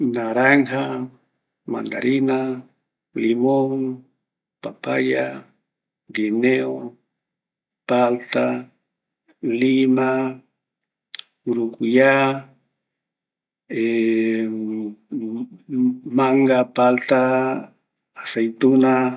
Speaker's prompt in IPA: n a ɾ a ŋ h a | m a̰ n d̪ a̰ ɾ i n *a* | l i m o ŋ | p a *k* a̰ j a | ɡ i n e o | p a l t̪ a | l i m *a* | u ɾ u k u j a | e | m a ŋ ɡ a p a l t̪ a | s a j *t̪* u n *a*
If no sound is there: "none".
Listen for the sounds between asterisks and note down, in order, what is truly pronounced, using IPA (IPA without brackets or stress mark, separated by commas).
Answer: a, p, a, t̪, a